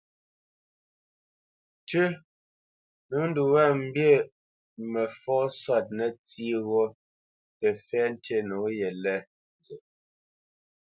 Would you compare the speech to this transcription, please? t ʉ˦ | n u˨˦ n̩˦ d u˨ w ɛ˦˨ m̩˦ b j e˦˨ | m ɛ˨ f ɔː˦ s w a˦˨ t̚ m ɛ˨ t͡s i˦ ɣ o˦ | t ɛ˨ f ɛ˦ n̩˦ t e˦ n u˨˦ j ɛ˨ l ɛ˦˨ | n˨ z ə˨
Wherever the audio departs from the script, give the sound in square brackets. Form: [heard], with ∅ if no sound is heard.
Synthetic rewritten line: t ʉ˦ | n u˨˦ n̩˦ d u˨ w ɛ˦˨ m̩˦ b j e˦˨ | m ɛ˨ f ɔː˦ s w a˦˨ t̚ [n] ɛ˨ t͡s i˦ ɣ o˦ | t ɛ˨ f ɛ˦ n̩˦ t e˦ n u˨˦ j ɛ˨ l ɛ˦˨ | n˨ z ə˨

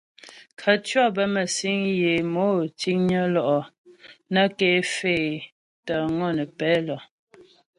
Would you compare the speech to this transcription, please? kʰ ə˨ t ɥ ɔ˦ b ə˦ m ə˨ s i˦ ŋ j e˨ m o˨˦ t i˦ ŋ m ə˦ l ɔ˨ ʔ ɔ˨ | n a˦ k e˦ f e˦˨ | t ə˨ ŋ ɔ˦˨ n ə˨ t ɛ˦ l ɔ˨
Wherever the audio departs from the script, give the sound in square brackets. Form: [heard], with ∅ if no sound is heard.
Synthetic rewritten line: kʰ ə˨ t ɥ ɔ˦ b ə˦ m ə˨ s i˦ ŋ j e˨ m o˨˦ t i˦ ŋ [ɲ] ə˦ l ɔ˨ ʔ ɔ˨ | n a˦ k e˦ f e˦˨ | t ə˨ ŋ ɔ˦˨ n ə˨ [p] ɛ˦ l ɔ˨

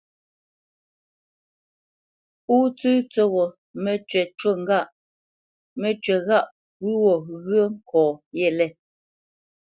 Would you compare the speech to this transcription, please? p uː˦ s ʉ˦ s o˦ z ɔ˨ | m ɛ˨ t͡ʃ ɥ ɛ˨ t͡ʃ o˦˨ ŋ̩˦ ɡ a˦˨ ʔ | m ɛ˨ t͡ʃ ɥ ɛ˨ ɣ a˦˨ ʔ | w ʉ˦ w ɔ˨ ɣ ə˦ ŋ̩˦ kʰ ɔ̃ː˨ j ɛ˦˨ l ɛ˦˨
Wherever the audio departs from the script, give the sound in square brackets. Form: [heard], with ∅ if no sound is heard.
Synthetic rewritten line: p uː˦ [t͡s] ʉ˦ [t͡s] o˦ [ɣ] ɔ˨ | m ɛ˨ t͡ʃ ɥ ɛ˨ t͡ʃ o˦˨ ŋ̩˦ ɡ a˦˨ ʔ | m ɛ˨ t͡ʃ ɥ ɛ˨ ɣ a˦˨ ʔ | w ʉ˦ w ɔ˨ ɣ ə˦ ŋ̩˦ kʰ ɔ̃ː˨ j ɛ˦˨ l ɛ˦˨

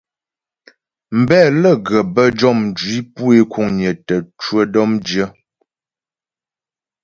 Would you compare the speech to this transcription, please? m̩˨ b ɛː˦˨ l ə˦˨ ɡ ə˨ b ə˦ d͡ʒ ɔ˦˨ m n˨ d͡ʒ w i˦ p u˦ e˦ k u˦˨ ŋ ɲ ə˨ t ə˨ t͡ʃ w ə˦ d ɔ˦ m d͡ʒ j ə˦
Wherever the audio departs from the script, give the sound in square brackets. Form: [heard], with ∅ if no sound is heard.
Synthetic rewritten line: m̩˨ b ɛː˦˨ l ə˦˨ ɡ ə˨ b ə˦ d͡ʒ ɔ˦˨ m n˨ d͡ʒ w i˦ p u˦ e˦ k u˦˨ ŋ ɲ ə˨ t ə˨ t͡ʃ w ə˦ d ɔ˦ m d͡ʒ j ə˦

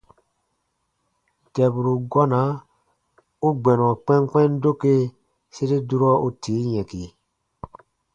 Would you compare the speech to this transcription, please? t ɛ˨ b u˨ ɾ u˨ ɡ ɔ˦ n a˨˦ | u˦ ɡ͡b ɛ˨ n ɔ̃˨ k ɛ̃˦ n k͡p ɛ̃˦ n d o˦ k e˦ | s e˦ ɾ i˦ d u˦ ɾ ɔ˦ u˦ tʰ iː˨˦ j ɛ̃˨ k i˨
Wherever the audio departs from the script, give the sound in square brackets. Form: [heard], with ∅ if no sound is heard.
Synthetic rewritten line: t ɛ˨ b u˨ ɾ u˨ ɡ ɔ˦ n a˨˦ | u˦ ɡ͡b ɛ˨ n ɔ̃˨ [k͡p] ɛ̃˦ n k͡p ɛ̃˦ n d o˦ k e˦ | s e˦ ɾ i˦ d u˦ ɾ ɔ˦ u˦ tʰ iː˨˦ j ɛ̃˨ k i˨

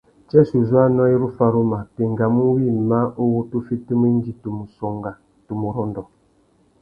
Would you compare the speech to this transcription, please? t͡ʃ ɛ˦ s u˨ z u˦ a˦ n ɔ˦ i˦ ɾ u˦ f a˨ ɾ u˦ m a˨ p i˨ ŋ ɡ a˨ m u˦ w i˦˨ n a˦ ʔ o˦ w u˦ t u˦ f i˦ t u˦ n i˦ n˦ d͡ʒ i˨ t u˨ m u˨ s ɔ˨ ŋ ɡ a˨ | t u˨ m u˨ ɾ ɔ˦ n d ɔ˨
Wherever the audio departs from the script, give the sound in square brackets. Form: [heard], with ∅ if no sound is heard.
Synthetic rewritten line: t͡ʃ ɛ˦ s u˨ z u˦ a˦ n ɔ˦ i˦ ɾ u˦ f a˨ ɾ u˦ m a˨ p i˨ ŋ ɡ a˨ m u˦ w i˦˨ [m] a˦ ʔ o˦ w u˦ t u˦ f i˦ t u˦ [m] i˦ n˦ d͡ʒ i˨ t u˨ m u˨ s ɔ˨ ŋ ɡ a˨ | t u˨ m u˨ ɾ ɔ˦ n d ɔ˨

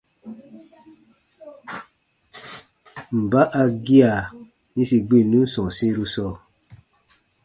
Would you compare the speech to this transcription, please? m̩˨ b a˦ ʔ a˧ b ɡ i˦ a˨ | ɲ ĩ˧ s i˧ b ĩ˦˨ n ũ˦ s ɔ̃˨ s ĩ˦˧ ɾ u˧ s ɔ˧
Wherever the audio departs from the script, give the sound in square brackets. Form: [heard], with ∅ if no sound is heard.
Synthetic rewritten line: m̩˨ b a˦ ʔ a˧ [∅] ɡ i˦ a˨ | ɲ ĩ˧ s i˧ [ɡ͡b] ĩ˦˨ n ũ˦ s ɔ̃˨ s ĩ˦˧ ɾ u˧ s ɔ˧

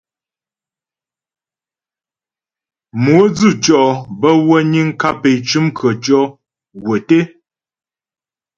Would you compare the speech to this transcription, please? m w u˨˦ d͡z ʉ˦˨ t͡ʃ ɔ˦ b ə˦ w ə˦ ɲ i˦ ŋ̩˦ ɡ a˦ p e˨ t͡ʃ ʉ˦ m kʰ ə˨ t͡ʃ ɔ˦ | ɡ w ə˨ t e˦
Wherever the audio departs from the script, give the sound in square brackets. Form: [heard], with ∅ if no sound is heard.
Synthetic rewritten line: m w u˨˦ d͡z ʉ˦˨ t͡ʃ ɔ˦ b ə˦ w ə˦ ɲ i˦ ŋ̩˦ [k] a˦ p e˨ t͡ʃ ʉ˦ m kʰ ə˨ t͡ʃ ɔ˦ | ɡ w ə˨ t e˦

